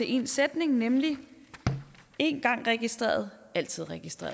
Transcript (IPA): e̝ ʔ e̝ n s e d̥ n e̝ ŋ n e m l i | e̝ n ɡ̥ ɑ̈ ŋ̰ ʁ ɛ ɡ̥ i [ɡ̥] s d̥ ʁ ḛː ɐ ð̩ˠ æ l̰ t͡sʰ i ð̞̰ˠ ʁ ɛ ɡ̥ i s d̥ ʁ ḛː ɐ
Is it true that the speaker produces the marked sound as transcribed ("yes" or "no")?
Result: no